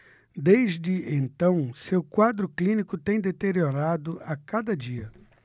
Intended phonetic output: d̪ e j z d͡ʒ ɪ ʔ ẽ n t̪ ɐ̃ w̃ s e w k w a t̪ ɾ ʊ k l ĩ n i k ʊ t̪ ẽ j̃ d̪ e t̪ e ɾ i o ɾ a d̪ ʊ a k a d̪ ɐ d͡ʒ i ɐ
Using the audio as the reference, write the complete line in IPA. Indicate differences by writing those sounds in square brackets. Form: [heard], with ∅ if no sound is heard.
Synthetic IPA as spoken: d̪ e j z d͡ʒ ɪ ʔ ẽ n t̪ ɐ̃ w̃ s e w k w a [d̪] ɾ ʊ k l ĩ n i k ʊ t̪ ẽ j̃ d̪ e t̪ e ɾ i o ɾ a d̪ ʊ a k a d̪ ɐ d͡ʒ i ɐ

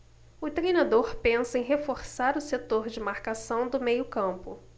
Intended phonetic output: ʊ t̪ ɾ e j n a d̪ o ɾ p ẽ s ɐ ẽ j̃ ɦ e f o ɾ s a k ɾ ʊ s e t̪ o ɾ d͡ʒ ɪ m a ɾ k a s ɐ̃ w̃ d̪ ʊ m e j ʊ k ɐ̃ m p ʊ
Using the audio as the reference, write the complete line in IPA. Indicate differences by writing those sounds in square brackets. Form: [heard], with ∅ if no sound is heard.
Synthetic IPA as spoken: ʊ t̪ ɾ e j n a d̪ o ɾ p ẽ s ɐ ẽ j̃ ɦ e f o ɾ s a [∅] ɾ ʊ s e t̪ o ɾ d͡ʒ ɪ m a ɾ k a s ɐ̃ w̃ d̪ ʊ m e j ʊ k ɐ̃ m p ʊ

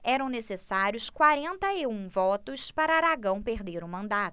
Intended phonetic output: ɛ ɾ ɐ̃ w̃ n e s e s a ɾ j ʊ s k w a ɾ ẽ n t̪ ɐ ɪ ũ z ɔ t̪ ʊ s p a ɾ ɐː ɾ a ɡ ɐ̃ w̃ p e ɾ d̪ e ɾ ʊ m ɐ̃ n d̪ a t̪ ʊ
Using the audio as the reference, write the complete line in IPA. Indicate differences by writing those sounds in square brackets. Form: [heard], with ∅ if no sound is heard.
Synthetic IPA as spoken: ɛ ɾ ɐ̃ w̃ n e s e s a ɾ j ʊ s k w a ɾ ẽ n t̪ ɐ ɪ ũ [v] ɔ t̪ ʊ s p a ɾ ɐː ɾ a ɡ ɐ̃ w̃ p e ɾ d̪ e ɾ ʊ m ɐ̃ n d̪ a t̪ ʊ

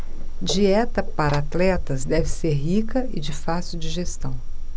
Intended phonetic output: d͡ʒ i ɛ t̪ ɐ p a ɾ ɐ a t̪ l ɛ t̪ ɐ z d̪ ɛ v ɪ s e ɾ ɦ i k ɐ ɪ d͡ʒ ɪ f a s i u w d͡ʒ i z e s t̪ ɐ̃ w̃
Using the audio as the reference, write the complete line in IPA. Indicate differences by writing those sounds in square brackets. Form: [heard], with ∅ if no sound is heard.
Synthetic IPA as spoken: d͡ʒ i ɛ t̪ ɐ p a ɾ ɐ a t̪ l ɛ t̪ ɐ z d̪ ɛ v ɪ s e ɾ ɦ i k ɐ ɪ d͡ʒ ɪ f a s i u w d͡ʒ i [ʒ] e s t̪ ɐ̃ w̃

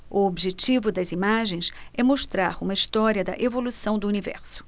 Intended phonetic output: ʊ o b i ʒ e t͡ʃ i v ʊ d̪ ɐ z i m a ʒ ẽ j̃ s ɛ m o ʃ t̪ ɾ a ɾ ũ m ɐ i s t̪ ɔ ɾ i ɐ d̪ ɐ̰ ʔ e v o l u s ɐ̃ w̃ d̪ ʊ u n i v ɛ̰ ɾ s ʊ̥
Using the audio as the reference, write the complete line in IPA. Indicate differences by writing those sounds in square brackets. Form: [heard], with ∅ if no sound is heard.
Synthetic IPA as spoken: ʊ o b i ʒ e t͡ʃ i v ʊ d̪ ɐ z i m a ʒ ẽ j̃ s ɛ m o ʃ t̪ ɾ a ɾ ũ m ɐ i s t̪ ɔ ɾ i ɐ d̪ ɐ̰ ʔ e v o l u s ɐ̃ w̃ d̪ ʊ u n i v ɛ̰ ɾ s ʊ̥

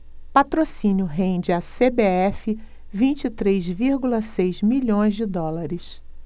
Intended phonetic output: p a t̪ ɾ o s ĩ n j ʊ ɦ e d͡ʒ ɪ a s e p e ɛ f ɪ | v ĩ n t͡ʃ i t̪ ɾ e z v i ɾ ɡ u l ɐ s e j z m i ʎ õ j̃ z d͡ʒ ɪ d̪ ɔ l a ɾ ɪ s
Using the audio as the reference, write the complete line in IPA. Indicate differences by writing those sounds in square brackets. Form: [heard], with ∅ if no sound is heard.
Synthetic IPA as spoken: p a t̪ ɾ o s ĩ n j ʊ ɦ [ẽ] d͡ʒ ɪ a s e [b] e ɛ f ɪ | v ĩ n t͡ʃ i t̪ ɾ e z v i ɾ ɡ u l ɐ s e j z m i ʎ õ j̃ z d͡ʒ ɪ d̪ ɔ l a ɾ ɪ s

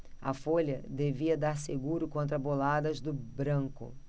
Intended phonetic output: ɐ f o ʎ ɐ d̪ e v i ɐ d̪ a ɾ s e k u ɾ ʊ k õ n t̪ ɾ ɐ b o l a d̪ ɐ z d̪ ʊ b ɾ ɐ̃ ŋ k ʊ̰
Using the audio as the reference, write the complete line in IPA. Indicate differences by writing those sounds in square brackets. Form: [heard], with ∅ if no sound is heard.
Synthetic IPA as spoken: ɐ f o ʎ ɐ d̪ e v i ɐ d̪ a ɾ s e [ɡ] u ɾ ʊ k õ n t̪ ɾ ɐ b o l a d̪ ɐ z d̪ ʊ b ɾ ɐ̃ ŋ k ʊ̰

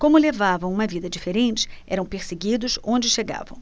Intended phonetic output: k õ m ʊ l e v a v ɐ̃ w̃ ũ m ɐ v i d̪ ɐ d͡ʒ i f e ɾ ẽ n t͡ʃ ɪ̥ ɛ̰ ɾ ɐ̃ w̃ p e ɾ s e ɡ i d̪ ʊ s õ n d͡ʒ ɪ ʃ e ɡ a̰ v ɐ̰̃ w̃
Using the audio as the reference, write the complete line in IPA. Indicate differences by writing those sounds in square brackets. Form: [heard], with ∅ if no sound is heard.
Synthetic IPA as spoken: k õ m ʊ l e v a v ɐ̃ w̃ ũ m ɐ v i d̪ ɐ d͡ʒ i f e ɾ ẽ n t͡ʃ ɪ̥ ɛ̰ ɾ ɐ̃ w̃ p e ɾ s e ɡ i d̪ ʊ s õ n d͡ʒ ɪ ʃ e ɡ a̰ v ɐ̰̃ w̃

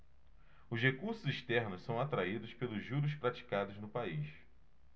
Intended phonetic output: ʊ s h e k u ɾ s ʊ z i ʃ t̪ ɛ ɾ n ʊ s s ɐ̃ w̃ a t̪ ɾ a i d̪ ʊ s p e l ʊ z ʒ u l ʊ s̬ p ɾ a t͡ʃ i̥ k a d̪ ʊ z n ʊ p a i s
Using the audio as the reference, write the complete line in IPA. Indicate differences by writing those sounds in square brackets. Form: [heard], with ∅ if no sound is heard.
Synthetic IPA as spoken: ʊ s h e k u ɾ s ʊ z i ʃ t̪ ɛ ɾ n ʊ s s ɐ̃ w̃ a t̪ ɾ a i d̪ ʊ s p e l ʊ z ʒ u [ɾ] ʊ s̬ p ɾ a t͡ʃ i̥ k a d̪ ʊ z n ʊ p a i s

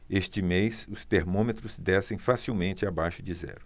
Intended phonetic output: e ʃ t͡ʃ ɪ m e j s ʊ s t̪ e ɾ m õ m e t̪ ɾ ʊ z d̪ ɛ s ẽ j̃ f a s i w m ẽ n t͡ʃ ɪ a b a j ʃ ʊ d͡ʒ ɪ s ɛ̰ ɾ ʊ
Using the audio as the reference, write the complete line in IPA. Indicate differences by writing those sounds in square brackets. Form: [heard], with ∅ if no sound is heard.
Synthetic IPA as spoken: e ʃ t͡ʃ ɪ m e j s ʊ s t̪ e ɾ m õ m e t̪ ɾ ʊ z d̪ ɛ s ẽ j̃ f a s i w m ẽ n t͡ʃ ɪ a b a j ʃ ʊ d͡ʒ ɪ [z] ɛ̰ ɾ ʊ

